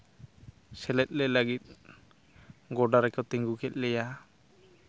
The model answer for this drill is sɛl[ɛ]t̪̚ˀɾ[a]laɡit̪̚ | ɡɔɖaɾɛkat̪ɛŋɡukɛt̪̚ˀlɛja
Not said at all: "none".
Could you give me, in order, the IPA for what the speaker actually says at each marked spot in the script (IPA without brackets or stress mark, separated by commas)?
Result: ɛ, ɛ